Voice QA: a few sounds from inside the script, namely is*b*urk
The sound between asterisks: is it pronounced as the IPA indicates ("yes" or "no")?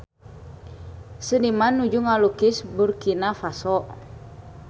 yes